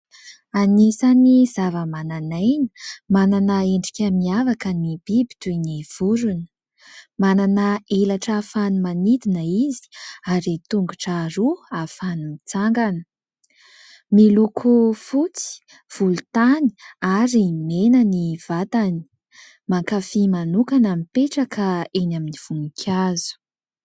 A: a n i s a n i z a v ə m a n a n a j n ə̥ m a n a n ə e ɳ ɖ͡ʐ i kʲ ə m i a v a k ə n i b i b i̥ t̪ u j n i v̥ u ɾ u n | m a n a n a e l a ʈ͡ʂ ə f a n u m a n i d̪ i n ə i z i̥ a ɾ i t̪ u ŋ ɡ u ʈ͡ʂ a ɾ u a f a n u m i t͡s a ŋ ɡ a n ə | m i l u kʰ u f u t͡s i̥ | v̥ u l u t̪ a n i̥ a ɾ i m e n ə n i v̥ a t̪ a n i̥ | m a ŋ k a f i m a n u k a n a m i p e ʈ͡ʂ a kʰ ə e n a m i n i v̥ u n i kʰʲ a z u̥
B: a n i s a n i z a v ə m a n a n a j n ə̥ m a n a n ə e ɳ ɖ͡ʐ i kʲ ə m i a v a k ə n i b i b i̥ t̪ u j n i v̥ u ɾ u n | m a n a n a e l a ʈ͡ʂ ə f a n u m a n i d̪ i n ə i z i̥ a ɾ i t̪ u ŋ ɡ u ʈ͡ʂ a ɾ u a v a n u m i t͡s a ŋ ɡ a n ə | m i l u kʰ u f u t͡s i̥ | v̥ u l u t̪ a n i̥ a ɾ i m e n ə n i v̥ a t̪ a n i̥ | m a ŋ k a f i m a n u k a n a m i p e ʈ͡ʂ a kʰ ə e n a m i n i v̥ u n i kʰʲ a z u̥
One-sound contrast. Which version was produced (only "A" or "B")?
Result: A